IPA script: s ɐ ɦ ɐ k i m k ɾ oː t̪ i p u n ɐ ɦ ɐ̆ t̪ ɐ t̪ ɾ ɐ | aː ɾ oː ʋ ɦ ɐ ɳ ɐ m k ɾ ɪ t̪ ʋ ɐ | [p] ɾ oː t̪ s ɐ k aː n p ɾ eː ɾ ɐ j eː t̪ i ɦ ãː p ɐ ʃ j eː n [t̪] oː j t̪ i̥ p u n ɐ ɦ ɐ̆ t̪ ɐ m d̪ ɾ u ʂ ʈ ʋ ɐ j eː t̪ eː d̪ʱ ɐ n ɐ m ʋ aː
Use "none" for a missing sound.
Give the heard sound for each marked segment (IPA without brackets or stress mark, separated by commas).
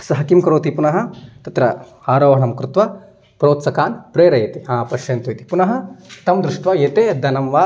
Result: p, t̪